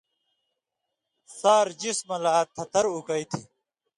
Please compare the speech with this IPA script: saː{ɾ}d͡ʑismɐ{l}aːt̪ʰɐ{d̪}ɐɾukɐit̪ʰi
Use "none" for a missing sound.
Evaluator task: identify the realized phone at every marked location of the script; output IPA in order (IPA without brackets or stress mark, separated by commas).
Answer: ɾ, l, t̪